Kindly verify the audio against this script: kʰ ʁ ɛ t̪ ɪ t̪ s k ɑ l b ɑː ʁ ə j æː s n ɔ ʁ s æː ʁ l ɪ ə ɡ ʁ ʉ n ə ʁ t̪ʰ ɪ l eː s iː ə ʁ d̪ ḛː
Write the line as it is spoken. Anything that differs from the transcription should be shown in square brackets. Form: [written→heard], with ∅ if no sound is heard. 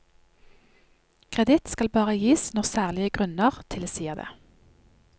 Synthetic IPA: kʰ ʁ ɛ [t̪→d̪] ɪ t̪ s k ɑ l b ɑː ʁ ə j [æː→iː] s n ɔ ʁ s æː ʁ l ɪ ə ɡ ʁ ʉ n ə ʁ t̪ʰ ɪ l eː s iː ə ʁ d̪ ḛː